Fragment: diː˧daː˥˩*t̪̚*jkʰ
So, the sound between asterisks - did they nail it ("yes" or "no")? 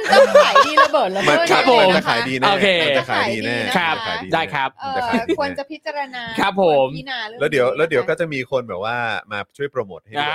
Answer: no